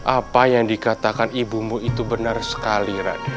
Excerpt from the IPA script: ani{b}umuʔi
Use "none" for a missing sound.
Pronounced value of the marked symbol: b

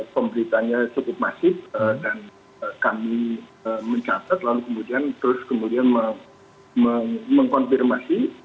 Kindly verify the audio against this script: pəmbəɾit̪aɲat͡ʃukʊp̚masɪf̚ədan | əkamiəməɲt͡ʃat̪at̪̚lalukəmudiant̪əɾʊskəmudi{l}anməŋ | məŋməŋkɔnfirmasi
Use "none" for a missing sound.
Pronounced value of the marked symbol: none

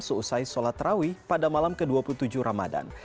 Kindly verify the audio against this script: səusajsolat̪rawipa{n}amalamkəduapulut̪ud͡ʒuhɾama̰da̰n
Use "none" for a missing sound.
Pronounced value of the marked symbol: d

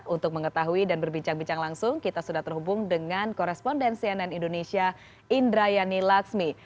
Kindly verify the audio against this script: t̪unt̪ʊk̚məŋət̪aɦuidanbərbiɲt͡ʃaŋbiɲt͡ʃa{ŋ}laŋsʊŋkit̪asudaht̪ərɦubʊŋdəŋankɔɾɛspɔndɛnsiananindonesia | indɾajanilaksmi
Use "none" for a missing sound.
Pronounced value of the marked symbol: ŋ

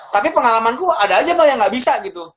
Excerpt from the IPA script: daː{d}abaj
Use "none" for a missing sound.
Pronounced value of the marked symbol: d͡ʒ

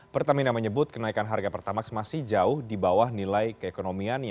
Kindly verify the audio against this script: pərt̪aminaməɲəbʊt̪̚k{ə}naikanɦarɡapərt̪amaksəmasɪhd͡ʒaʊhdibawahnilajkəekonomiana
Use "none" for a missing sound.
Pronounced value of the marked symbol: ə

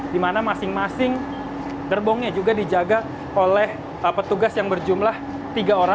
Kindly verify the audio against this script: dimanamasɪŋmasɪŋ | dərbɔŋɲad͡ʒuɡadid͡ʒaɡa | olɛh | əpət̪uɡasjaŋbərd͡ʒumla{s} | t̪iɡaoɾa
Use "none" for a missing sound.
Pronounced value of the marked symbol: h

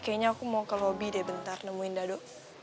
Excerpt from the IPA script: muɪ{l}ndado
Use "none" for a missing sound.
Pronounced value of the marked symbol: none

